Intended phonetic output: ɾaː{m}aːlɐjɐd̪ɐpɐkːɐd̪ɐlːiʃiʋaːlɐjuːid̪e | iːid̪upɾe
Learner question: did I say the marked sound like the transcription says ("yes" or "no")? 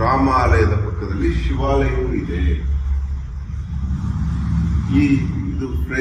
yes